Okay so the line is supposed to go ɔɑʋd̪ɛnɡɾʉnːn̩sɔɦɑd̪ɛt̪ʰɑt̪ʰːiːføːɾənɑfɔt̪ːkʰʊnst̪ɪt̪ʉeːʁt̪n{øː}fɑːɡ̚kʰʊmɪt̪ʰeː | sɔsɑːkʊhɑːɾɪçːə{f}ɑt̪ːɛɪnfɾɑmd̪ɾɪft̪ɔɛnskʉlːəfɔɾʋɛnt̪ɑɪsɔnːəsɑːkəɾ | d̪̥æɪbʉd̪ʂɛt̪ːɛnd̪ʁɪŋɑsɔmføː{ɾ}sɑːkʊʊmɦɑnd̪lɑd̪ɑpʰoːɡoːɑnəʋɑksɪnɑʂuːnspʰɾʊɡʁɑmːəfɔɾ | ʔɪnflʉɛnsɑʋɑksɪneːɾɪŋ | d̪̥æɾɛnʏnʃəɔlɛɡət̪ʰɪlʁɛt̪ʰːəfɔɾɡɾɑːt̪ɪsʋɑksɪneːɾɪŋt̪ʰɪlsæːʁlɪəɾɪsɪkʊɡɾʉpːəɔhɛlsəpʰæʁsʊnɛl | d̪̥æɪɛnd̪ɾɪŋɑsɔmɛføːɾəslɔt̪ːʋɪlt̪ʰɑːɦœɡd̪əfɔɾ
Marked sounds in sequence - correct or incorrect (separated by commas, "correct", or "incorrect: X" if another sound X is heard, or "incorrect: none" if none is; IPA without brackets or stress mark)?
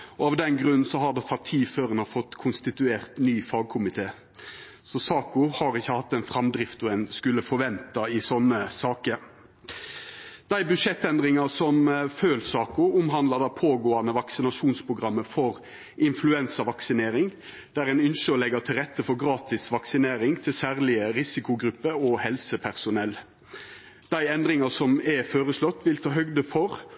incorrect: yː, incorrect: h, incorrect: l